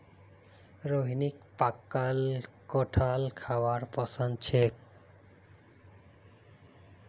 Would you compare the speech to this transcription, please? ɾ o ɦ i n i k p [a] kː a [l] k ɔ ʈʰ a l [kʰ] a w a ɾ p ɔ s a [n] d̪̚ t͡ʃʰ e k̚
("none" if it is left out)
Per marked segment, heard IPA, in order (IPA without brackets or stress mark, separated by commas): a, l, kʰ, n